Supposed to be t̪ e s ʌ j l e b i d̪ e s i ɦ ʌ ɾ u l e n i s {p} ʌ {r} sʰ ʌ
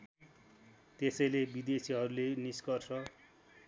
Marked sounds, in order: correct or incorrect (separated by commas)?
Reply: incorrect, correct